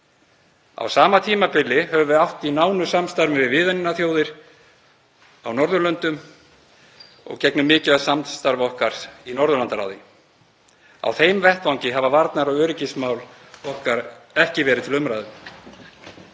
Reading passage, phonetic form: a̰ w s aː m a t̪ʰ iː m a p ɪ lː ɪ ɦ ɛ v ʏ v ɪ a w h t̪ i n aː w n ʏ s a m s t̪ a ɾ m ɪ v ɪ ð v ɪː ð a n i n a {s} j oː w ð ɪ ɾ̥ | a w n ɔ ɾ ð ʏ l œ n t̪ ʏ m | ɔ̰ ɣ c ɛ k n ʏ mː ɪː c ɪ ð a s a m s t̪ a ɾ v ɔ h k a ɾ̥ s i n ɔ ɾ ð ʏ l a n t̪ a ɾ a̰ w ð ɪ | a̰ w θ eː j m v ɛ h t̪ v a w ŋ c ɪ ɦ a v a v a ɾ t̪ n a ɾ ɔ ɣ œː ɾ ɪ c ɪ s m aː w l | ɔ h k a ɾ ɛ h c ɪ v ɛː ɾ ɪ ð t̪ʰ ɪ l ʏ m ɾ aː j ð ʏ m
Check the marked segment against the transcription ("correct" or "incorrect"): incorrect